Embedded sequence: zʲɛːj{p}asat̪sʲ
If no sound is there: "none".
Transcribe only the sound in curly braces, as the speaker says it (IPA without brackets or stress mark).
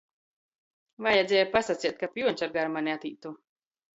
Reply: p